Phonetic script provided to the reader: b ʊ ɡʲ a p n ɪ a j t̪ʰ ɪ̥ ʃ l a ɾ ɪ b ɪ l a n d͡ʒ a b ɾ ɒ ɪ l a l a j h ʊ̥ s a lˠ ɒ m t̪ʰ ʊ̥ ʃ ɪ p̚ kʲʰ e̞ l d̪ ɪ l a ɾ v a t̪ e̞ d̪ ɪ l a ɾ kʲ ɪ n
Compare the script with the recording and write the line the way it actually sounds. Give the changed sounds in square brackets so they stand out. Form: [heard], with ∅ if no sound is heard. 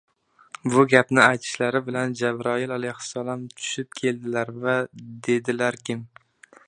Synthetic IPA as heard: b ʊ ɡʲ a p n ɪ a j t̪ʰ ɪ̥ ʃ l a ɾ ɪ b ɪ l a n d͡ʒ a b ɾ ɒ ɪ l a l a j h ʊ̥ s a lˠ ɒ m t̪ʰ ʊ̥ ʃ ɪ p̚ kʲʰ e̞ l d̪ ɪ l a ɾ v a [d̪] e̞ d̪ ɪ l a ɾ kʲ ɪ [m]